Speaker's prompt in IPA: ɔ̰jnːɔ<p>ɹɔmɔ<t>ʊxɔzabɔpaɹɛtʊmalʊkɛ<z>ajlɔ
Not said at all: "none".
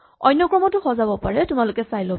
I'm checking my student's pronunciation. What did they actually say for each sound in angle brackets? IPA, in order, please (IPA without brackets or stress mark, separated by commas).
k, t, s